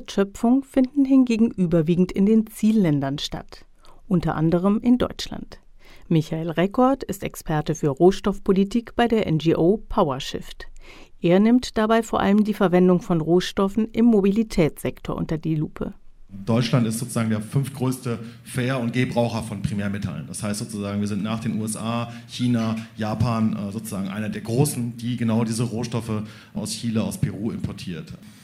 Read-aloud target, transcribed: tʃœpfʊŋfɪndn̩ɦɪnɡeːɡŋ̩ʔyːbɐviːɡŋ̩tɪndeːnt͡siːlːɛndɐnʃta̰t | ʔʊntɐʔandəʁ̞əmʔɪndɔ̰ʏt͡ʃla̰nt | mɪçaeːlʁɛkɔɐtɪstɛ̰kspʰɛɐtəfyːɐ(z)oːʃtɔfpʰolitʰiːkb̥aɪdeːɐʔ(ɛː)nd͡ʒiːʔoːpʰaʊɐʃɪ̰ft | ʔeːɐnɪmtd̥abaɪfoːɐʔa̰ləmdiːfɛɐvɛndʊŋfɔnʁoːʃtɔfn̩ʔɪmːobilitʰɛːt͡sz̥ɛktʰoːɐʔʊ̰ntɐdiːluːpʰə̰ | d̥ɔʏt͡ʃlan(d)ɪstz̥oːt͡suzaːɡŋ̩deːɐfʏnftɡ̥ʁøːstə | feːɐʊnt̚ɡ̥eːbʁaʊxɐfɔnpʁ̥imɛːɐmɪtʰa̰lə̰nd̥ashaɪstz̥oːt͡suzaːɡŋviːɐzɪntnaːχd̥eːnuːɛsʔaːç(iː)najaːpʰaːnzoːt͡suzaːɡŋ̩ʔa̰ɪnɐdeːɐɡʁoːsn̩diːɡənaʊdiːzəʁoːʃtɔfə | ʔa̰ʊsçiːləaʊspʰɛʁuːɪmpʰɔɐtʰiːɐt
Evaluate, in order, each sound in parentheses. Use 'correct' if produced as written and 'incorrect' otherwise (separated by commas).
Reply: incorrect, incorrect, incorrect, correct